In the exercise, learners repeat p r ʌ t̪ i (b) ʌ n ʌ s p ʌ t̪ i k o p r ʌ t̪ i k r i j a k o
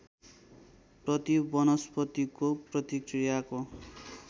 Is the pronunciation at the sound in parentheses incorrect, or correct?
correct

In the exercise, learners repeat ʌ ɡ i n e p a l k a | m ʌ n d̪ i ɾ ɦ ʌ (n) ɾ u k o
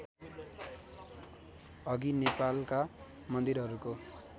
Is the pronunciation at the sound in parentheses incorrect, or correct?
incorrect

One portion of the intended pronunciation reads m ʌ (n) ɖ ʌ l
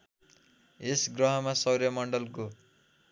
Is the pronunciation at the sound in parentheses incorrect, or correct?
incorrect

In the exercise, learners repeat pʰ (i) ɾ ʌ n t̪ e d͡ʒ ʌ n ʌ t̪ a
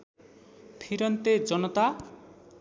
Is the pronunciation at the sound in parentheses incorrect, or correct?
correct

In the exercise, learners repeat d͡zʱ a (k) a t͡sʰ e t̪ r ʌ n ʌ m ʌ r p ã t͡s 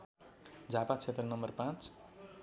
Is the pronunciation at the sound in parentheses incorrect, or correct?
incorrect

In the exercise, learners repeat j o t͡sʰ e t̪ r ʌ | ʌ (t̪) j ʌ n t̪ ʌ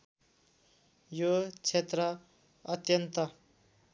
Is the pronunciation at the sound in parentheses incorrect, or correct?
correct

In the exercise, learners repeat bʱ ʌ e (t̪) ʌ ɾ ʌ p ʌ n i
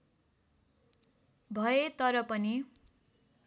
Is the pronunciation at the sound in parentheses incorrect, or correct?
correct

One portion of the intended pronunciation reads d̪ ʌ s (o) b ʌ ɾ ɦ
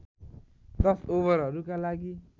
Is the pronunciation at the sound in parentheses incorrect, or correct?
correct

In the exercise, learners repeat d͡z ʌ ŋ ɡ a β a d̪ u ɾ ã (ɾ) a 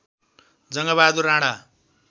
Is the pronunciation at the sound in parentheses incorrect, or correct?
incorrect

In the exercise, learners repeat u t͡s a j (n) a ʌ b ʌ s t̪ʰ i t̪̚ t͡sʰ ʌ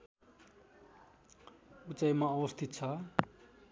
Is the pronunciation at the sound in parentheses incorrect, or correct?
incorrect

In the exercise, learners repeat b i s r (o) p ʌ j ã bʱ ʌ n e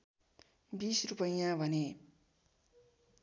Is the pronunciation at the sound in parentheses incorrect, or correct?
incorrect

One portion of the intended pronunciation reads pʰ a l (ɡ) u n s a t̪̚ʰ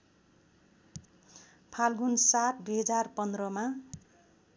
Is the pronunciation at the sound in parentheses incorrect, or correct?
correct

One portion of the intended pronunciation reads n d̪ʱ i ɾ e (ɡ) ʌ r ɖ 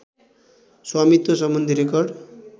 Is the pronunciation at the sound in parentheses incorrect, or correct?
incorrect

